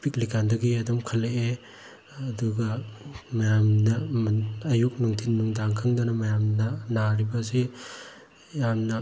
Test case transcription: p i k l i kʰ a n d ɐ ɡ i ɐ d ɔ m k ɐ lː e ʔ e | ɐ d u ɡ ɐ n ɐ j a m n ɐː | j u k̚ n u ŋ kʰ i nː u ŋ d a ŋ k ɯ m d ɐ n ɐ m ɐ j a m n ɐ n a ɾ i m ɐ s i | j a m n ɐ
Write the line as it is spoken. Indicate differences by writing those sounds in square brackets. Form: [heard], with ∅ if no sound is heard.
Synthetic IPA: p i k l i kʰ a n d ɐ ɡ i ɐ d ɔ m [kʰ] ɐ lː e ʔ e | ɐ d u ɡ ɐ [m] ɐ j a m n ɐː | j u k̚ n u ŋ [tʰ] i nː u ŋ d a ŋ [kʰ] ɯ [ŋ] d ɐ n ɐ m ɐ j a m n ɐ n a ɾ i [b] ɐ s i | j a m n ɐ